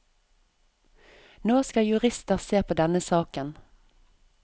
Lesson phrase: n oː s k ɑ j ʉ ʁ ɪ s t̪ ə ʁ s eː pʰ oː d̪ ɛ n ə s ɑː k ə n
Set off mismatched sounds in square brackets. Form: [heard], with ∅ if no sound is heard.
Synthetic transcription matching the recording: n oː s k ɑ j ʉ ʁ ɪ s t̪ ə ʁ s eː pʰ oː d̪ ɛ n ə s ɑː k ə n